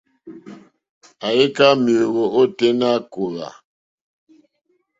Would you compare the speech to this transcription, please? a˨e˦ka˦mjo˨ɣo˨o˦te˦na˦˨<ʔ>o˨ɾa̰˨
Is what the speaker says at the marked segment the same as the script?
no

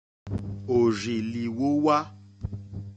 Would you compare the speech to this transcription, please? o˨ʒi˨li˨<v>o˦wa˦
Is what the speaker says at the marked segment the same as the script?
no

